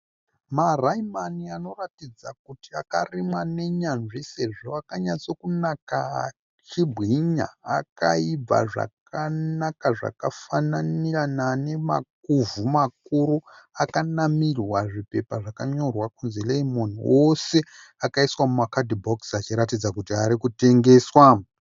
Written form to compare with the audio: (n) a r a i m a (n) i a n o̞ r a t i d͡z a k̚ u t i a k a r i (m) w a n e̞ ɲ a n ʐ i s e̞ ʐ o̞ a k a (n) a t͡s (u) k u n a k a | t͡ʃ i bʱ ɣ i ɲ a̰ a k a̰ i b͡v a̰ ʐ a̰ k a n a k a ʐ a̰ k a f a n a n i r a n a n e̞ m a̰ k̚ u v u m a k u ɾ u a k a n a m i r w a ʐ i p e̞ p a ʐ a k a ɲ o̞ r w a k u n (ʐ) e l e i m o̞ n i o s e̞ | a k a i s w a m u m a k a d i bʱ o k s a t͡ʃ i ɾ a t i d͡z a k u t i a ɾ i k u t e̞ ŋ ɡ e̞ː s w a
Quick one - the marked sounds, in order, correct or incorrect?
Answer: incorrect: m, correct, correct, incorrect: ɲ, incorrect: o, incorrect: z

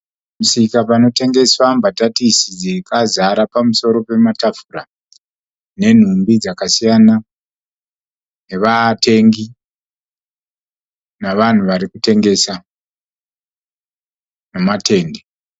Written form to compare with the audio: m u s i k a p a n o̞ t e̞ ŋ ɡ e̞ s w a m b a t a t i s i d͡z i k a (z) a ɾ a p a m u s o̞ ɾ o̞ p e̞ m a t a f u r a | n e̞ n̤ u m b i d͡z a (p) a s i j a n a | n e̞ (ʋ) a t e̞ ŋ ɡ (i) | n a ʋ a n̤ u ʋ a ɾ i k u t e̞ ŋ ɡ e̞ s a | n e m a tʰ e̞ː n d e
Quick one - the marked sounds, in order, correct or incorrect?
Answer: correct, incorrect: k, correct, correct

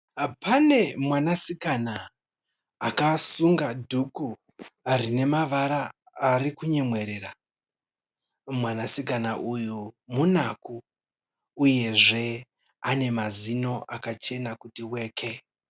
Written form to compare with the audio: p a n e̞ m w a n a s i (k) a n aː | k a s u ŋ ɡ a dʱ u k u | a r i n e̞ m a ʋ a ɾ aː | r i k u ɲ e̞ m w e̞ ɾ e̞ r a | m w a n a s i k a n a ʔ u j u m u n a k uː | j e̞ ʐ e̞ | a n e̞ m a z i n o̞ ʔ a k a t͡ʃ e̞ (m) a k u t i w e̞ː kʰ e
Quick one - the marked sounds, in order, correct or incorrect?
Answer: correct, incorrect: n

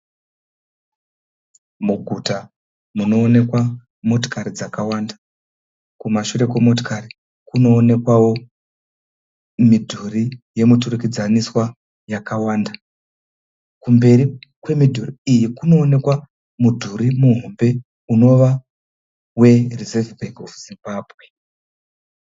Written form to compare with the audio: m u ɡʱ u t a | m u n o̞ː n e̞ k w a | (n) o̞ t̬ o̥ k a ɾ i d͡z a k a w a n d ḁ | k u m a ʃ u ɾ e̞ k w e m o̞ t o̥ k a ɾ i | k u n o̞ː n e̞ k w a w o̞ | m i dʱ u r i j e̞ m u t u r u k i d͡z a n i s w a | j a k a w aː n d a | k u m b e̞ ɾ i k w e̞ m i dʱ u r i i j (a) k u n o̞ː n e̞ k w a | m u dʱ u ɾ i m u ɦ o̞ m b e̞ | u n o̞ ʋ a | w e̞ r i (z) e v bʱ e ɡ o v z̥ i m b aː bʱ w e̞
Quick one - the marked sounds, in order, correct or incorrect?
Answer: incorrect: m, incorrect: i, correct

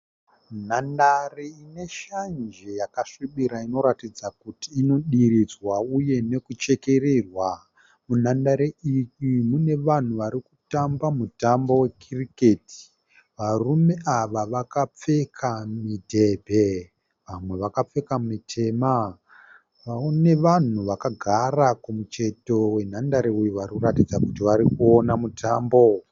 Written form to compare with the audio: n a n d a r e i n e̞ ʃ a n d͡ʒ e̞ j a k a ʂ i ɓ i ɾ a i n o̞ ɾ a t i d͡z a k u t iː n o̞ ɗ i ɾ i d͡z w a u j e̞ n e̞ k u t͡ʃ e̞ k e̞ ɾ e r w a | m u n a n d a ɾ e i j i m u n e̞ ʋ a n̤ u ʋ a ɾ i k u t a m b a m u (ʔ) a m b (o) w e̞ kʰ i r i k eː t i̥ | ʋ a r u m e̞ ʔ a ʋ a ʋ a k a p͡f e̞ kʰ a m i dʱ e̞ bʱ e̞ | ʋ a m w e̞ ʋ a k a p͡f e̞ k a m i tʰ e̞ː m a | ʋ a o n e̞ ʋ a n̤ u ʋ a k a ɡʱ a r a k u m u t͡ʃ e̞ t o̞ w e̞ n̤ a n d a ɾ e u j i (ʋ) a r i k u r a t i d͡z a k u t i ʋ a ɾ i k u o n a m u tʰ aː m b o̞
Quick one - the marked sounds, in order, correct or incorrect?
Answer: incorrect: t, correct, correct

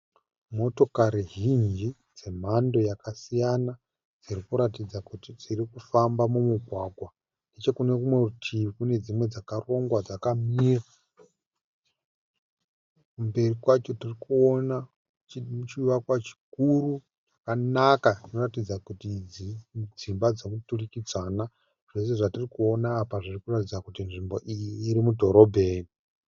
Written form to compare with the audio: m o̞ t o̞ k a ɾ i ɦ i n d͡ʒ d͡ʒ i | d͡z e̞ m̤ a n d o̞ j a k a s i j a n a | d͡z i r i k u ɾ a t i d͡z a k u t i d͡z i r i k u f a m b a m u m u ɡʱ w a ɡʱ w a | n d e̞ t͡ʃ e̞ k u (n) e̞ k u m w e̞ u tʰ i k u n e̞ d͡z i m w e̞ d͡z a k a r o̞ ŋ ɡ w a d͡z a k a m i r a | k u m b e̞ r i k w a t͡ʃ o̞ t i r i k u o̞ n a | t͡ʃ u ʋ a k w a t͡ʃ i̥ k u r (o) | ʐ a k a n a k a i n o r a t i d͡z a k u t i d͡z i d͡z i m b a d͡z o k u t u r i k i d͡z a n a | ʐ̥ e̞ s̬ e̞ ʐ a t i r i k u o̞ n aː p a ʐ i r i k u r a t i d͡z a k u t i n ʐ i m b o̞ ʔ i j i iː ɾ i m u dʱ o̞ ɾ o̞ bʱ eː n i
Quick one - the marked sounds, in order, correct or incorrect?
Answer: correct, incorrect: u

